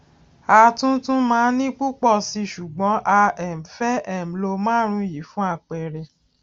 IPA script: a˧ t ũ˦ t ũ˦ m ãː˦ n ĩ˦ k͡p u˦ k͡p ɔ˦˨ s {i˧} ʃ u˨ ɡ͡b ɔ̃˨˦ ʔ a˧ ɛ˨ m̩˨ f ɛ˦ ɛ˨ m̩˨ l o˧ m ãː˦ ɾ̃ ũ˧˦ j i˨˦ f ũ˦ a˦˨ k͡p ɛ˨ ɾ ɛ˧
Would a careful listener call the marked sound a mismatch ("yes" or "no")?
no